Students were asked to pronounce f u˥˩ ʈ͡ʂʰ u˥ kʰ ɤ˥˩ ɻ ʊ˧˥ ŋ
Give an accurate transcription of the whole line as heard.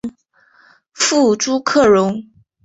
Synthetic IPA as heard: f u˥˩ ʈ͡ʂ u˥ kʰ ɤ˥˩ ɻ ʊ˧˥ ŋ